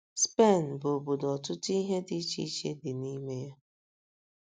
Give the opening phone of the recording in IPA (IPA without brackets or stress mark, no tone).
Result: s